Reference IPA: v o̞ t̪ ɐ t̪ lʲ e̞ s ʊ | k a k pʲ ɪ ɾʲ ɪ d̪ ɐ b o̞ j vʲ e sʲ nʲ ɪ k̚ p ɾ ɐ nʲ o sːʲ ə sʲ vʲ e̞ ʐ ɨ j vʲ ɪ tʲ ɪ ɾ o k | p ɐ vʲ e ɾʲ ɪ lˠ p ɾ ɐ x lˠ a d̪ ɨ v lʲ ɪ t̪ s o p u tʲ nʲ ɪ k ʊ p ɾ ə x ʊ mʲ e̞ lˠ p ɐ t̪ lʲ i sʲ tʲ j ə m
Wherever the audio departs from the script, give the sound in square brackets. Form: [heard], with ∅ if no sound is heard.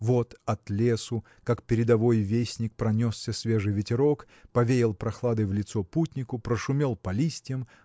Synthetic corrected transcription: v o̞ t̪ ɐ t̪ lʲ e̞ s ʊ | k a k pʲ ɪ ɾʲ ɪ d̪ ɐ [v] o̞ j vʲ e sʲ nʲ ɪ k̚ p ɾ ɐ nʲ o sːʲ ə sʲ vʲ e̞ ʐ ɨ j vʲ ɪ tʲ ɪ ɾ o k | p ɐ vʲ e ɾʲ ɪ lˠ p ɾ ɐ x lˠ a d̪ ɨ v lʲ ɪ t̪ s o p u tʲ nʲ ɪ k ʊ p ɾ ə [ʂ] ʊ mʲ e̞ lˠ p ɐ [∅] lʲ i sʲ tʲ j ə m